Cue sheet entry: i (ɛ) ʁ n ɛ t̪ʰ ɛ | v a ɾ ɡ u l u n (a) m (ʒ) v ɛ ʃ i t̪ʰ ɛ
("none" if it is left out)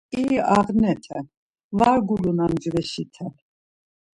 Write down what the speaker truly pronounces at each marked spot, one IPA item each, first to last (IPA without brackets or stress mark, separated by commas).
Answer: a, a, d͡ʒ